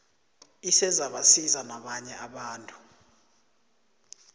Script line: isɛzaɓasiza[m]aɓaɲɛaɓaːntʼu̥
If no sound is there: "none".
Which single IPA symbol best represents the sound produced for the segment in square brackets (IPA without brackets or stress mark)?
n